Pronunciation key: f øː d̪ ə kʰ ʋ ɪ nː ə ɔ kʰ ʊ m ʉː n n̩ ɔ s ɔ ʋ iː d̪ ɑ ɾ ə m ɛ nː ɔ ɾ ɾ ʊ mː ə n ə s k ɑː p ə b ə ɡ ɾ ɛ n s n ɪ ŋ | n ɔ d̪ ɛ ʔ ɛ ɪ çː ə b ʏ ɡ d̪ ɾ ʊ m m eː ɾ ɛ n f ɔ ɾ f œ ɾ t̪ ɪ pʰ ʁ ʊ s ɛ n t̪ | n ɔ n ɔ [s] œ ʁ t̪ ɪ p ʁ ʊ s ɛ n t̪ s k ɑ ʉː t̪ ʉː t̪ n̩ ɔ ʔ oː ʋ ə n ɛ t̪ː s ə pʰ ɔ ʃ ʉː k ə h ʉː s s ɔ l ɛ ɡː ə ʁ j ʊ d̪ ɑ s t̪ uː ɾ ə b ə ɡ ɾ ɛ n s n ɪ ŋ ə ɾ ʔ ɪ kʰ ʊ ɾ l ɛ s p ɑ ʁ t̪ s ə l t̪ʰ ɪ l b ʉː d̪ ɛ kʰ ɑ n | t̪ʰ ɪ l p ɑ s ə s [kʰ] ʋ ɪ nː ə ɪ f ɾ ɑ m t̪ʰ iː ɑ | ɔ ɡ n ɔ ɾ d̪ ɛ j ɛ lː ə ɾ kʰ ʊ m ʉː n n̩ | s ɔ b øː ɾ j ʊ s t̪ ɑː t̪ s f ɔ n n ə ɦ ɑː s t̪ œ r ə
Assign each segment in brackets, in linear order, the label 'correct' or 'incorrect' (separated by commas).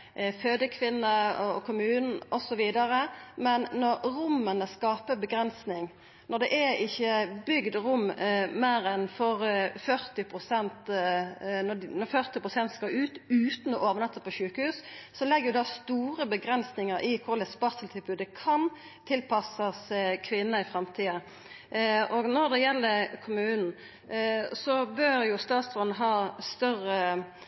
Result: incorrect, correct